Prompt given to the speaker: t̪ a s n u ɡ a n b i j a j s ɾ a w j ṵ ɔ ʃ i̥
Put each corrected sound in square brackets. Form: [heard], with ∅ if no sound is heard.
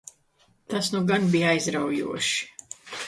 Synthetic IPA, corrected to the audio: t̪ a s n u ɡ a n b i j a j [z] ɾ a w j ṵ ɔ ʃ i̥